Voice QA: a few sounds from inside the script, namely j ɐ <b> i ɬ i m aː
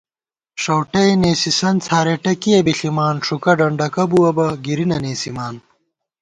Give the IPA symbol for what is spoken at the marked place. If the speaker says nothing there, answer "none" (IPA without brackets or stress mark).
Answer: b